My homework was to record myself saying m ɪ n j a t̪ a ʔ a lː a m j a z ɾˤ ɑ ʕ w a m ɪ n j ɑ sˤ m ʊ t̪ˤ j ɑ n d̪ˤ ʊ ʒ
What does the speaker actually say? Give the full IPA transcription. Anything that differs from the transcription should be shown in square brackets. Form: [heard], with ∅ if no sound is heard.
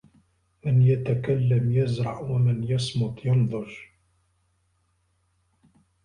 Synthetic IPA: m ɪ n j a t̪ a [k] a lː a m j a z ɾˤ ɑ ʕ w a m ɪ n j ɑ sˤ m ʊ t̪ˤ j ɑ n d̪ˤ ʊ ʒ